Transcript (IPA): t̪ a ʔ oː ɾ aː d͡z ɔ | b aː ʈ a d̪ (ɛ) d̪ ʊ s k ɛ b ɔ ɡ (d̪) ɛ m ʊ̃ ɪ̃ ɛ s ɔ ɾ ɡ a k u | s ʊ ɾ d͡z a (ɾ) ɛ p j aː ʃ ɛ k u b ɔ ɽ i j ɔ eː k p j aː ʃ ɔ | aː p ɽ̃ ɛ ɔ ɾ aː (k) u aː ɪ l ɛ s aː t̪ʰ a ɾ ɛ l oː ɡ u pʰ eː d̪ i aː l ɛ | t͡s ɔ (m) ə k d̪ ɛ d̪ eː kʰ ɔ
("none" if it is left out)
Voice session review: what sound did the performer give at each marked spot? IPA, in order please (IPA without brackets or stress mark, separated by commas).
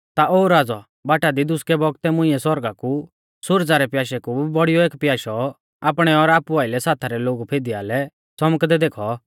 i, t̪, ɾ, p, m